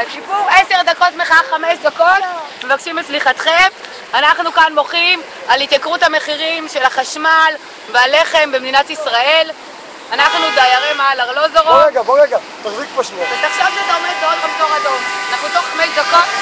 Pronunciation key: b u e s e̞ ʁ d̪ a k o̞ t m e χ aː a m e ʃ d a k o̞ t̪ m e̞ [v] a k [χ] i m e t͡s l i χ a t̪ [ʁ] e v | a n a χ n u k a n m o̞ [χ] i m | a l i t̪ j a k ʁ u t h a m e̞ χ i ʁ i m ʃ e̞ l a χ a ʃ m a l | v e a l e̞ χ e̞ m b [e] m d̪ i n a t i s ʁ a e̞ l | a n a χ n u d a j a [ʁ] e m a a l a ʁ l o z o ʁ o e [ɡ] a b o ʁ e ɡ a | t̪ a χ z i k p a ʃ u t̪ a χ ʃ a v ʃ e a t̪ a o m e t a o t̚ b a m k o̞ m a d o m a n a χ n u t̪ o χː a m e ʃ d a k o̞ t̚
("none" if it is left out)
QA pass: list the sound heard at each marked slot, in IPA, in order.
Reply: v, ʃ, χ, χ, e, ʁ, ɡ

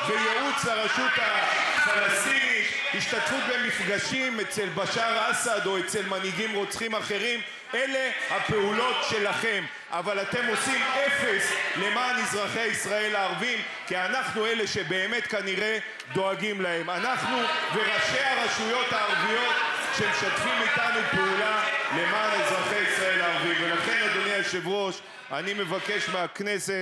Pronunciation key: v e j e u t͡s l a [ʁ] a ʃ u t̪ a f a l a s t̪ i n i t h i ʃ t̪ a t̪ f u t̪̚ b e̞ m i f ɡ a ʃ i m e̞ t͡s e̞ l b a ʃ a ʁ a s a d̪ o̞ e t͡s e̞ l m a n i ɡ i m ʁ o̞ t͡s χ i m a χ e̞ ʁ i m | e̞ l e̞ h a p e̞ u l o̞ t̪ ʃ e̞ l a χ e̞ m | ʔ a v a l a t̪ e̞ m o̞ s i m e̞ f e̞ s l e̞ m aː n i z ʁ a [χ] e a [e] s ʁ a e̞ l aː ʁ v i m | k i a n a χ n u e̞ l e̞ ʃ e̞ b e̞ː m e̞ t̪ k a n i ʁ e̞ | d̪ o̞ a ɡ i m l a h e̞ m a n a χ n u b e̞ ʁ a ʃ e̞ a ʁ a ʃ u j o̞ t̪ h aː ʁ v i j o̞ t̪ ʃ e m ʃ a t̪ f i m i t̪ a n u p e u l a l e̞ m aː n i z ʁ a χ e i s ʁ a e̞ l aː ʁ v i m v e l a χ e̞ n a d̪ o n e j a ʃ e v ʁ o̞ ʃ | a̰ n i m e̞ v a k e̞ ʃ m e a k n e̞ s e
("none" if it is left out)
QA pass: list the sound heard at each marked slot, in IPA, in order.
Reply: ʁ, χ, i

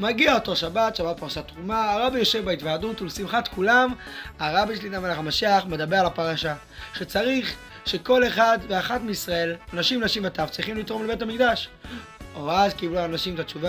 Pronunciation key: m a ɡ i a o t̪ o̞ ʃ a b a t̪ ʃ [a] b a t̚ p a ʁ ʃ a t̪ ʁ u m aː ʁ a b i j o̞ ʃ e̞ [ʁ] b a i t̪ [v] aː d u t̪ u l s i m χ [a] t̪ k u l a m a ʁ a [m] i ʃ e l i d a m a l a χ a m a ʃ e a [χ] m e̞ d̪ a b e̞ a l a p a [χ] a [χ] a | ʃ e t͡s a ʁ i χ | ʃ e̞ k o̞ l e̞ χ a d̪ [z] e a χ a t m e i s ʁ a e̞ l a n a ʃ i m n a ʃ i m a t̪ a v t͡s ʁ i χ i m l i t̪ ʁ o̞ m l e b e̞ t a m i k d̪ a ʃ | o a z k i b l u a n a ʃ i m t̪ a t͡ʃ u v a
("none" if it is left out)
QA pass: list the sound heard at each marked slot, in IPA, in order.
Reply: a, v, v, a, b, χ, ʁ, ʃ, v

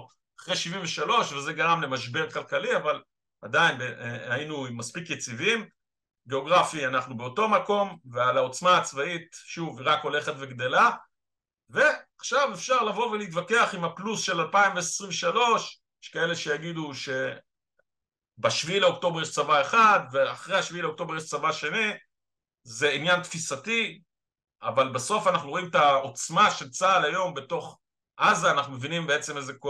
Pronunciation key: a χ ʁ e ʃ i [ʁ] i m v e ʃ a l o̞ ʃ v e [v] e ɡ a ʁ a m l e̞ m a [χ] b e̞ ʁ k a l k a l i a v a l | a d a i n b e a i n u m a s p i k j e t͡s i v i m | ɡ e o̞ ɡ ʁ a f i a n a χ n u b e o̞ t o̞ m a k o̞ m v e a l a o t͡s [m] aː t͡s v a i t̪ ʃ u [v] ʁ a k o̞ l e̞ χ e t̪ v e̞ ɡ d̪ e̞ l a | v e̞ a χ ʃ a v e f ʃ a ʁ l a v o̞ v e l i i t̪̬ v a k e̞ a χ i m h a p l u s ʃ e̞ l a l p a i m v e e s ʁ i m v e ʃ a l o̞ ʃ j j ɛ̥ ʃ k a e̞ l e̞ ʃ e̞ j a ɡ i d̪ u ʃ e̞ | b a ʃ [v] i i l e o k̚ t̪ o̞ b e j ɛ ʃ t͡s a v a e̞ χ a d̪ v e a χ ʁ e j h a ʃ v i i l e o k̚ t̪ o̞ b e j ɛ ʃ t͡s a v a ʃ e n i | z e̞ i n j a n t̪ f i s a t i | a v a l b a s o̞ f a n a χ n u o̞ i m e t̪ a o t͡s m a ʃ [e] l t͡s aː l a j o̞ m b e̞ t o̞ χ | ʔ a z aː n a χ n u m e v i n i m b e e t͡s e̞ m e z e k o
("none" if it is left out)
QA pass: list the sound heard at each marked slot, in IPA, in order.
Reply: v, z, ʃ, m, v, v, e

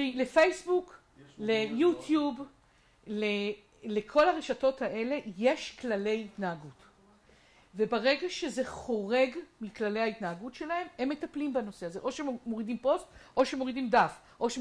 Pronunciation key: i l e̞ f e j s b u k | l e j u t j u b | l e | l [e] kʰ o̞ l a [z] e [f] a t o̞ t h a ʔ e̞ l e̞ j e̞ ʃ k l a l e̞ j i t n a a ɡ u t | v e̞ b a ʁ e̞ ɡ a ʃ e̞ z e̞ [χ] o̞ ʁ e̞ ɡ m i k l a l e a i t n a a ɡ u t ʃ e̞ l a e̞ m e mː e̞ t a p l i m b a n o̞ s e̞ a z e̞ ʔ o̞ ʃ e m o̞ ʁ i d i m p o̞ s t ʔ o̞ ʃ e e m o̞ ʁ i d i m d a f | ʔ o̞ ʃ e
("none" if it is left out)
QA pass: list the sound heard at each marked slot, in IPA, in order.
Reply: e, ʁ, ʃ, χ

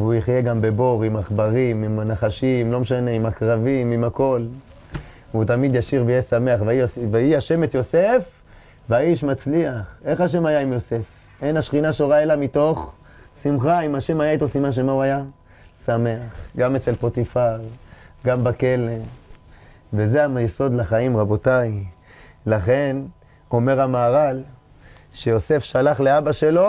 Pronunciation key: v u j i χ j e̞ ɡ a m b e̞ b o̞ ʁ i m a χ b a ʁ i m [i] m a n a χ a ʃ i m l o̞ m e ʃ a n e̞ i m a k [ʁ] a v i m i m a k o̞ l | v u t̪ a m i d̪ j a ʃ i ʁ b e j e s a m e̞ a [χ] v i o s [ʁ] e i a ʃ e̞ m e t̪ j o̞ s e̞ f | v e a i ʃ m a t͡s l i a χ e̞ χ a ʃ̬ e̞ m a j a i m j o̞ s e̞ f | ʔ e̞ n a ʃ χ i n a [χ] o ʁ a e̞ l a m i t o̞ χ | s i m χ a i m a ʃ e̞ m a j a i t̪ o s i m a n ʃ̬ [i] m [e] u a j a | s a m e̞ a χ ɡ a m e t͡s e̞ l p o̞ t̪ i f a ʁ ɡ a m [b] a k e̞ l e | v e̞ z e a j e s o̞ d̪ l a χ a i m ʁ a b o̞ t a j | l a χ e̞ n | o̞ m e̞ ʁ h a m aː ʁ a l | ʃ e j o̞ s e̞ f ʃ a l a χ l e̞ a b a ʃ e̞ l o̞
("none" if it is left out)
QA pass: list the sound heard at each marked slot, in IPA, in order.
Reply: i, ʁ, χ, v, ʃ, e, a, b

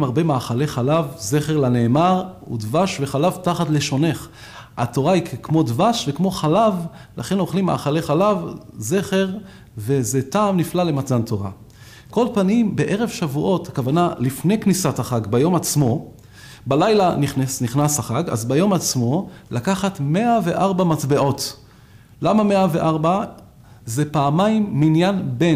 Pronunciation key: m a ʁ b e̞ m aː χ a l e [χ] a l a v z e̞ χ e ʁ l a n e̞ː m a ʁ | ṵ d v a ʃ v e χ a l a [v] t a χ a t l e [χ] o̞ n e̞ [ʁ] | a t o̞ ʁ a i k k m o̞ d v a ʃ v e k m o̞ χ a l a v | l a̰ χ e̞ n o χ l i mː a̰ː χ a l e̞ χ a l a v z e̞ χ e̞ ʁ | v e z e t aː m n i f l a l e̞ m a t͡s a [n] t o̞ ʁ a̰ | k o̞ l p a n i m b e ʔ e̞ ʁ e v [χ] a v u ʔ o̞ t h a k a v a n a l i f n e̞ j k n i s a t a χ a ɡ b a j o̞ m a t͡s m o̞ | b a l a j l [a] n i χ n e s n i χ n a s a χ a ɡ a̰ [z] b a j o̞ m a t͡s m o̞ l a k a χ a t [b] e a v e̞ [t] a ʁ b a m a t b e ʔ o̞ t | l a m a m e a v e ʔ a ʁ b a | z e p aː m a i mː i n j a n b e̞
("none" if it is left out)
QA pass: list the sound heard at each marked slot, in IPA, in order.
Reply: χ, v, ʃ, χ, n, ʃ, a, z, m, ʔ

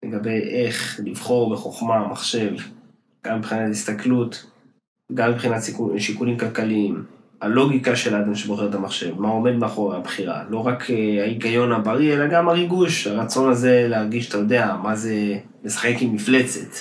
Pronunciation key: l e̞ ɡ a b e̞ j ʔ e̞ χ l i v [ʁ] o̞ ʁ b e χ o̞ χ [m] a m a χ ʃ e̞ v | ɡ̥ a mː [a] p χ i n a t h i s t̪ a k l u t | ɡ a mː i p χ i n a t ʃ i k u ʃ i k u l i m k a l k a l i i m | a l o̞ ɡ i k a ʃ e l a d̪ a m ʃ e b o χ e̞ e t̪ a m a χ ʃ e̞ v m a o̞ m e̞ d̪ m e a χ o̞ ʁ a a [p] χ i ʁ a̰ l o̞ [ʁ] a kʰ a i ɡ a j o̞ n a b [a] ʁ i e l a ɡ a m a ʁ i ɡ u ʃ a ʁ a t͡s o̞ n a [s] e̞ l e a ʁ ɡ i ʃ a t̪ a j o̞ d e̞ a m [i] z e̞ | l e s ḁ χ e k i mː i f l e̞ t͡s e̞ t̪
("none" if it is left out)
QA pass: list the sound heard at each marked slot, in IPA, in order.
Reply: χ, m, i, b, ʁ, a, z, a

